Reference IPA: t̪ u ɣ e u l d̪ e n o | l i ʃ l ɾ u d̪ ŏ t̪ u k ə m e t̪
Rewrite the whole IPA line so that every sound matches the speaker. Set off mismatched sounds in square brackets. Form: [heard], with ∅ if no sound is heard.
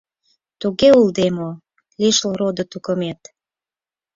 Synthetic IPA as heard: t̪ u ɣ e u l d̪ e [m] o | l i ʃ l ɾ [o] d̪ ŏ t̪ u k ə m e t̪